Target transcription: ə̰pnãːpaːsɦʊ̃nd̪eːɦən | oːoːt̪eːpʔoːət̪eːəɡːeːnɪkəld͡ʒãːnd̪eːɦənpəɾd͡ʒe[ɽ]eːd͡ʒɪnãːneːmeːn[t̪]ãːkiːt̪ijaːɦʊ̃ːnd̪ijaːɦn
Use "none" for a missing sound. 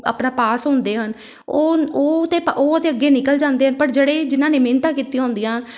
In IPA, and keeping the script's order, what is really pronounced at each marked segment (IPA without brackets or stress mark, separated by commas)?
ɽ, t̪